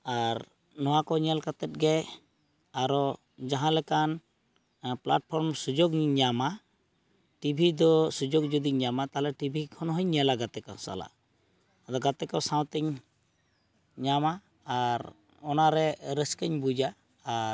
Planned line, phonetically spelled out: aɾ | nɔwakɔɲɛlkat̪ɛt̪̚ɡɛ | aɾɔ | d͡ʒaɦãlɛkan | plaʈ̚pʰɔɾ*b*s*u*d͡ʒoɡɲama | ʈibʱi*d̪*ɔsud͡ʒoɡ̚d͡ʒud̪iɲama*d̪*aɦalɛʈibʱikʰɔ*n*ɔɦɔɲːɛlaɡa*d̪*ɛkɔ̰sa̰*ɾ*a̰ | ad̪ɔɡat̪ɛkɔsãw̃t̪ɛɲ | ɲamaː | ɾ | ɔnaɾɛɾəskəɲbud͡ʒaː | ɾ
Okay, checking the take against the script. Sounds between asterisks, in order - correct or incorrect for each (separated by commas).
incorrect, correct, correct, incorrect, correct, incorrect, incorrect